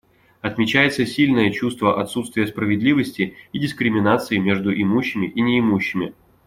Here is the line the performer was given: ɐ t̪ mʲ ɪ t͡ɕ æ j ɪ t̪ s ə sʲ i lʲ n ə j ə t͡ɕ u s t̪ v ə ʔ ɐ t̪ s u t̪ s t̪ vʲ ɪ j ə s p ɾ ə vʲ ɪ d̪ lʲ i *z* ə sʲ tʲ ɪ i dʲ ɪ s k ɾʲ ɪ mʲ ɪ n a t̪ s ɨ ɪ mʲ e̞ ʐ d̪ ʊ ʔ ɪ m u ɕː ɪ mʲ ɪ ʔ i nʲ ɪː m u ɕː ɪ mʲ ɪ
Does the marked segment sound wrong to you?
yes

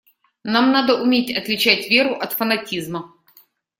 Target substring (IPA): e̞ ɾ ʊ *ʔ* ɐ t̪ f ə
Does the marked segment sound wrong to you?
no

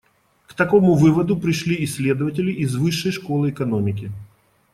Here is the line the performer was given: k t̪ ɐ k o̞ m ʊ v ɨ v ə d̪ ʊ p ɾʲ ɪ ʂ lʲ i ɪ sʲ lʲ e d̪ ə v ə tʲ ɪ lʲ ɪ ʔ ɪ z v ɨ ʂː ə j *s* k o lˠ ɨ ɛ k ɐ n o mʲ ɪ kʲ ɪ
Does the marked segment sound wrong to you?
yes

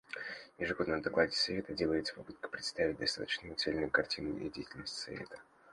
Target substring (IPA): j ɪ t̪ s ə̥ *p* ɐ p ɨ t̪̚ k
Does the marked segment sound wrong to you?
no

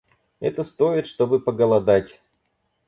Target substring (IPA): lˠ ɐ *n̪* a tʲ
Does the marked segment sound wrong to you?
yes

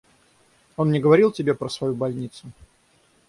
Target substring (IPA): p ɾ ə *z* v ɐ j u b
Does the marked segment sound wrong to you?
yes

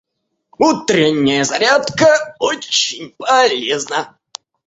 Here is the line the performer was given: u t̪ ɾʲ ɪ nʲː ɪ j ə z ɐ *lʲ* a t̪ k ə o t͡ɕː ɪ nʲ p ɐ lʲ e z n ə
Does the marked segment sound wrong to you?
yes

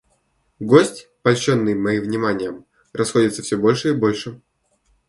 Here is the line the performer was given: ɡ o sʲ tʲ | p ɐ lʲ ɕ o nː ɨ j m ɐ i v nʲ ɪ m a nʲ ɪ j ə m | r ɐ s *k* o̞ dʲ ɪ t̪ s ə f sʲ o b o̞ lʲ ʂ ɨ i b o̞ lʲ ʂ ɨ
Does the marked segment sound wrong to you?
yes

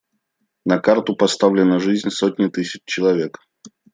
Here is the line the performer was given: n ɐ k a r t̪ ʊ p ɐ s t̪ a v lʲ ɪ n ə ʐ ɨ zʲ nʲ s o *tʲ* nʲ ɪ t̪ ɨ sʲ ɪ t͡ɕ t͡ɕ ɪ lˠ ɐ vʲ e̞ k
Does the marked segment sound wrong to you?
no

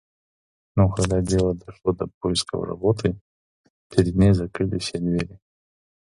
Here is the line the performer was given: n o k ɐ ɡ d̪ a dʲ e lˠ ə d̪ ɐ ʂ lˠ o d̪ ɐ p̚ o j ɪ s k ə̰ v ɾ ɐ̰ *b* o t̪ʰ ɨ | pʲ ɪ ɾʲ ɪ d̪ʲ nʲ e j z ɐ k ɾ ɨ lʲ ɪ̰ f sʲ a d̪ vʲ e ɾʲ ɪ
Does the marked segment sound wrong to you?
no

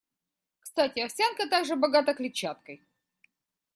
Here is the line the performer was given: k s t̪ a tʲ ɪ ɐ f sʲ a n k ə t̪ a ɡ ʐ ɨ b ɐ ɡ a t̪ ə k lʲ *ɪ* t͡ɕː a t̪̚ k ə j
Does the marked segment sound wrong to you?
no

